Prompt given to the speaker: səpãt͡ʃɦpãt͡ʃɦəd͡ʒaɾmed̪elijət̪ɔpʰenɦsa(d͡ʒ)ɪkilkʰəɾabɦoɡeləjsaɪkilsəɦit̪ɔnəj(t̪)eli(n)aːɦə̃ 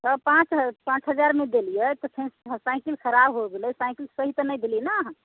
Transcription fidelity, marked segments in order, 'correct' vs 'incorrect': incorrect: none, incorrect: d̪, correct

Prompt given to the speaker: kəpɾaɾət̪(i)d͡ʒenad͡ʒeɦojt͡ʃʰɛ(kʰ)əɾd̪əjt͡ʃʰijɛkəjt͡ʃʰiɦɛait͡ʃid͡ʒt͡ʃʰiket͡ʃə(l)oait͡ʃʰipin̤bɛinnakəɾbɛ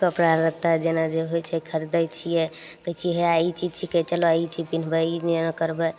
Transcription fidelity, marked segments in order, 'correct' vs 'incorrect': incorrect: a, correct, correct

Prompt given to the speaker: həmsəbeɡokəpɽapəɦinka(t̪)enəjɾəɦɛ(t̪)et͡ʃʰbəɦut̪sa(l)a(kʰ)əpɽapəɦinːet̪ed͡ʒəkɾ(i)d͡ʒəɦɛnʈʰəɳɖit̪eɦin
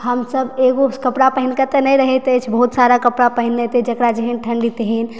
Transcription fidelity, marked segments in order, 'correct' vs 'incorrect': correct, correct, incorrect: ɾ, incorrect: k, incorrect: a

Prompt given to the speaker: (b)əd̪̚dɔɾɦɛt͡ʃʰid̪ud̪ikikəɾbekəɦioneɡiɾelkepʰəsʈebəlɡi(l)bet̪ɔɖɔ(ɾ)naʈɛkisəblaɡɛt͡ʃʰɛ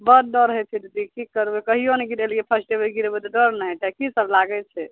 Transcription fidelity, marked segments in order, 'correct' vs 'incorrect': correct, incorrect: ɾ, correct

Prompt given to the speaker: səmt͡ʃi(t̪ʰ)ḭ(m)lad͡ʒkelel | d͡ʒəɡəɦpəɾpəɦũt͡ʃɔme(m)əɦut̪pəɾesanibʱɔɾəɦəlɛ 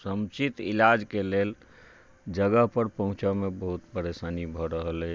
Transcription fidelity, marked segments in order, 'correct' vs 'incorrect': incorrect: t̪, incorrect: none, incorrect: b

